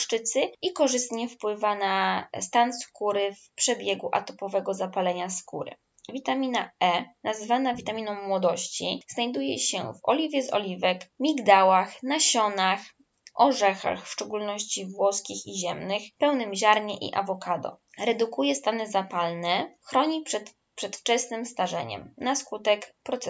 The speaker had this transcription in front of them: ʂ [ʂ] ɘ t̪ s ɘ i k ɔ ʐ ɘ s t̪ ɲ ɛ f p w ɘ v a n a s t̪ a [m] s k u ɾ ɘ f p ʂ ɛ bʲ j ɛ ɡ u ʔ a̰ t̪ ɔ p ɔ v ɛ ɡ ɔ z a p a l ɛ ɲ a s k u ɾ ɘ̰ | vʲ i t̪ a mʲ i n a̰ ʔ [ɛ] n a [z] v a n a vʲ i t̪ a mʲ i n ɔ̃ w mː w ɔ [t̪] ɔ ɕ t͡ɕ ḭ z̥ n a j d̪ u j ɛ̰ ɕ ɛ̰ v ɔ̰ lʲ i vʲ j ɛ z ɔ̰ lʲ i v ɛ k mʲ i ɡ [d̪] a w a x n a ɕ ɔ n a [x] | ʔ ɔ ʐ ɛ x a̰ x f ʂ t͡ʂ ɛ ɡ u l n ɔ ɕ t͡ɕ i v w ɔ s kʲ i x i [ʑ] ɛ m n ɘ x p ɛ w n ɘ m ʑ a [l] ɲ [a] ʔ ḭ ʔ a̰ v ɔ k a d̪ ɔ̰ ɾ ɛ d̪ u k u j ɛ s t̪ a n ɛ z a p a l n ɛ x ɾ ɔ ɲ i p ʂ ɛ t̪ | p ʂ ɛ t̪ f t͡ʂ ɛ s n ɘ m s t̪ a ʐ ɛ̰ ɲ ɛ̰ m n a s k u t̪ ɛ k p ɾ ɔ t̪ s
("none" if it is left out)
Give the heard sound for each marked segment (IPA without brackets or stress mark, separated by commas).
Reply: t͡ʂ, n, ɛ, z, d̪, d̪, x, ʑ, ɾ, ɛ